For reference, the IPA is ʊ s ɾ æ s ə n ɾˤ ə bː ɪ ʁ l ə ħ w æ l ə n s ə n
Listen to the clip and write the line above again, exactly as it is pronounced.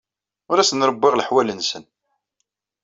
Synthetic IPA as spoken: ʊ ɾ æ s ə n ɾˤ ə bː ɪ ʁ l ə ħ w æ l ə n s ə n